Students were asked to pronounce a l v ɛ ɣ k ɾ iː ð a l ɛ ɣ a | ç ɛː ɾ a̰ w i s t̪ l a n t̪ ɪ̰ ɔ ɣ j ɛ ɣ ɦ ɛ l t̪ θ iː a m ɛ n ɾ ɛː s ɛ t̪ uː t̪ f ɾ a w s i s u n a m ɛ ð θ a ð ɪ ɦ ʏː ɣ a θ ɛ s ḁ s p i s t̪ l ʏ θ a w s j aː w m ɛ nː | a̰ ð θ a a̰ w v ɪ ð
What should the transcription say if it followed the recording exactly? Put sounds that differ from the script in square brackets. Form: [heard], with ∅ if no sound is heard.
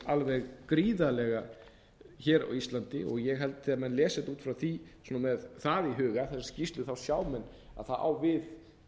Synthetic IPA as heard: a l v ɛ ɣ k ɾ iː ð a l ɛ ɣ a | ç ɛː ɾ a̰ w i s t̪ l a n t̪ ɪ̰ ɔ ɣ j ɛ ɣ ɦ ɛ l t̪ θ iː a m ɛ n [l] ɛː s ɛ t̪ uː t̪ f ɾ a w [θ] i s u n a m ɛ ð θ a ð [i] ɦ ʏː ɣ a θ ɛ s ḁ s [c] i s t̪ l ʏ θ a w s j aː w m ɛ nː | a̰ ð θ a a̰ w v ɪ ð

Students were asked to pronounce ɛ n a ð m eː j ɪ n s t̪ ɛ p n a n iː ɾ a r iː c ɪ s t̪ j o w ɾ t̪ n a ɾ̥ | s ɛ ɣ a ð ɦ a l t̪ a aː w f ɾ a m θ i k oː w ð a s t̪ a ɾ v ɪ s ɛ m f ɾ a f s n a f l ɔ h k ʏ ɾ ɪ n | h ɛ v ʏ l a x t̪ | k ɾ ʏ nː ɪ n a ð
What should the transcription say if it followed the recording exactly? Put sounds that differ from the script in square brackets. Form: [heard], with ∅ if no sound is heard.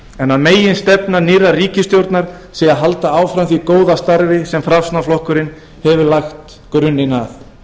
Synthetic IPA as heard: ɛ n a ð m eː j ɪ n s t̪ ɛ p n a n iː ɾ a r iː c ɪ s t̪ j o w ɾ t̪ n a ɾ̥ | s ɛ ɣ a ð ɦ a l t̪ a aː w f ɾ a m θ i k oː w ð a s t̪ a ɾ v ɪ s ɛ m f ɾ a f s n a f l ɔ h k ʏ ɾ ɪ n | h ɛ v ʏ l a x t̪ | k ɾ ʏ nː ɪ n a [θ]

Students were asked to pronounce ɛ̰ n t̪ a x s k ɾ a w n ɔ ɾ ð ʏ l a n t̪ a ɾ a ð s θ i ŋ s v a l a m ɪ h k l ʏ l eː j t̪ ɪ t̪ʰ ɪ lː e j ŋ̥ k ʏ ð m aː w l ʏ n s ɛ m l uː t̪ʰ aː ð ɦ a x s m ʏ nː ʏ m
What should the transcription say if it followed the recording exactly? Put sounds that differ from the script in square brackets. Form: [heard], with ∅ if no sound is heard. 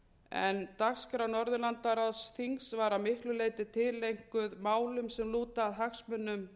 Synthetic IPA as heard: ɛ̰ n t̪ a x s k ɾ a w n ɔ ɾ ð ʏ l a n t̪ a ɾ a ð s θ i ŋ s v a [ɾ] a m ɪ h k l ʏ l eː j t̪ ɪ t̪ʰ ɪ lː e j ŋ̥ k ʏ ð m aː w l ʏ [m] s ɛ m l uː [t̪] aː ð ɦ a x s m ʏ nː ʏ m

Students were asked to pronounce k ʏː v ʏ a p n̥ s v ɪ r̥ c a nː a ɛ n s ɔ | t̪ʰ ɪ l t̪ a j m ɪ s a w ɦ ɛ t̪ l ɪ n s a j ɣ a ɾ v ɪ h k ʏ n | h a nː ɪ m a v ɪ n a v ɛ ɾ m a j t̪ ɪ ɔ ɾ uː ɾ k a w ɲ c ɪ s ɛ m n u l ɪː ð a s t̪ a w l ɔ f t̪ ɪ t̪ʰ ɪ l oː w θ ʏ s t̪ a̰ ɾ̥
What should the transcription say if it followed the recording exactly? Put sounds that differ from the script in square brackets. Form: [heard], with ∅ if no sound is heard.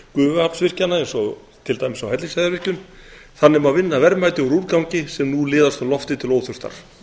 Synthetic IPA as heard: k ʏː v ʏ a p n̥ s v ɪ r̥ c a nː a ɛ n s ɔ | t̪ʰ ɪ l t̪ a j m ɪ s a w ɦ ɛ t̪ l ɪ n s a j [ð] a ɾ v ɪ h [c] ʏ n | [θ] a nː ɪ m a v ɪ [nː] a v ɛ ɾ m a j t̪ ɪ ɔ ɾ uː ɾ k a w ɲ c ɪ s ɛ m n u l ɪː ð a s t̪ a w l ɔ f t̪ ɪ t̪ʰ ɪ l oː w θ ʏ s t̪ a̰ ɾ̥

